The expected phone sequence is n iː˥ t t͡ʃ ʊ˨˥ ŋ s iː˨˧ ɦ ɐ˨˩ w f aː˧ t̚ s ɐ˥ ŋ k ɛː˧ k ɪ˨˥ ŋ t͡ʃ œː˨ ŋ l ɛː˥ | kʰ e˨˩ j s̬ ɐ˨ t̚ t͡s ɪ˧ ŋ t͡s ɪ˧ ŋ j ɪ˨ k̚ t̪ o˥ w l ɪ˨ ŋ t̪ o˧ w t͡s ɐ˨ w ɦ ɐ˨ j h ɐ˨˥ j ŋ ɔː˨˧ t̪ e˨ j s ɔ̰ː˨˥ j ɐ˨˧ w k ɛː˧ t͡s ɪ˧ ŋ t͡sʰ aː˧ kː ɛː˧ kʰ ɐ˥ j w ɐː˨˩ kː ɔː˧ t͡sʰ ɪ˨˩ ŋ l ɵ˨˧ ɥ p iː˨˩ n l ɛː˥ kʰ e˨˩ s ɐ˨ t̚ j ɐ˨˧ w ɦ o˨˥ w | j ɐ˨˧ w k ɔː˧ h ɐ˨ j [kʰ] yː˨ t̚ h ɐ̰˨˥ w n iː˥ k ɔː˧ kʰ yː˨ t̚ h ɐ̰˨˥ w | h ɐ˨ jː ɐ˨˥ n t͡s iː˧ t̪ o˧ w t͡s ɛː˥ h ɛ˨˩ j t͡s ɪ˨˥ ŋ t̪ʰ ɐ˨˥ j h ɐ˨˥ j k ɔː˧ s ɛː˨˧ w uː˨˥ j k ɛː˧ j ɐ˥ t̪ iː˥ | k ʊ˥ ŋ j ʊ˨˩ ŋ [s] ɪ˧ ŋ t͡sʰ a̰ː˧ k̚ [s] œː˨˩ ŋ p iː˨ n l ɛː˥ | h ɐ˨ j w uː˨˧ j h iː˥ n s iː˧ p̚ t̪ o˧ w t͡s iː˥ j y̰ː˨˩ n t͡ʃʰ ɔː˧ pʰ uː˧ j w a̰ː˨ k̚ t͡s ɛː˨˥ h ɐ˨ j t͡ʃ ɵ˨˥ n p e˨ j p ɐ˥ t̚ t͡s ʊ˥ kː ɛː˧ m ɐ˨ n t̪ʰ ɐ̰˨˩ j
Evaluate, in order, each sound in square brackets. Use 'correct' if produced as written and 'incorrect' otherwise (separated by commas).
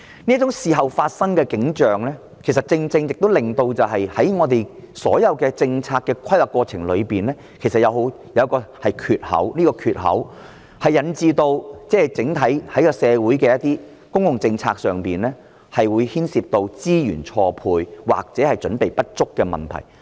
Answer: correct, incorrect, correct